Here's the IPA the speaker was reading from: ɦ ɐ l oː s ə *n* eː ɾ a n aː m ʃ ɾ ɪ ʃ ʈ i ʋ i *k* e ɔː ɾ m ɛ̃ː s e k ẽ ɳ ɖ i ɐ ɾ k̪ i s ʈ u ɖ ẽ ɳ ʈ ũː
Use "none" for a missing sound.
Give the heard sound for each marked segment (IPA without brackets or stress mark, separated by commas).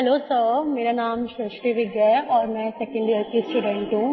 m, ɡ